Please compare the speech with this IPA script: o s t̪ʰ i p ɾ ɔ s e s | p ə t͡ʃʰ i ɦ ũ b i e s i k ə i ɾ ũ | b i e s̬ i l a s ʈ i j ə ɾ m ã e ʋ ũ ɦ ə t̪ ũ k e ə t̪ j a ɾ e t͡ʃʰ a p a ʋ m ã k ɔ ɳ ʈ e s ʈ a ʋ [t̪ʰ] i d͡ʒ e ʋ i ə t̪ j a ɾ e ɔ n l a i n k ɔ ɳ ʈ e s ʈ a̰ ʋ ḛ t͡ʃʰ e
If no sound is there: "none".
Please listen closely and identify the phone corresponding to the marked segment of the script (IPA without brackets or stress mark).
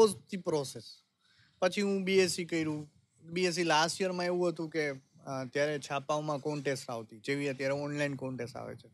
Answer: t̪